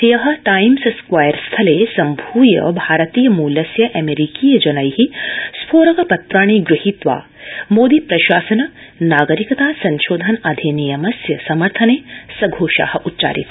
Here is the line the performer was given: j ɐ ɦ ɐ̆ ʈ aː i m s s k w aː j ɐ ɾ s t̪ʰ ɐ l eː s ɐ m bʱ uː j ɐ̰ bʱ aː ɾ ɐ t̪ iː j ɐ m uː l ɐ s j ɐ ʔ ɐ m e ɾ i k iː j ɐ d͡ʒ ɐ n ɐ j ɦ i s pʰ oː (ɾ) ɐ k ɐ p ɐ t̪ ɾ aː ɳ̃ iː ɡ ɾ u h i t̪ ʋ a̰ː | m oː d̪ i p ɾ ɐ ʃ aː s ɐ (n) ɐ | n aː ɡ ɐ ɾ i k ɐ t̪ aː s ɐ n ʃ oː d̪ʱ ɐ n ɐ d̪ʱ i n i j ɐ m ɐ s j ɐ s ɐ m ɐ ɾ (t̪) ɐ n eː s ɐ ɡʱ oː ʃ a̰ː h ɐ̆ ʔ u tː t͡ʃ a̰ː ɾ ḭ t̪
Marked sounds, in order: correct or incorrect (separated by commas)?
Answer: correct, correct, incorrect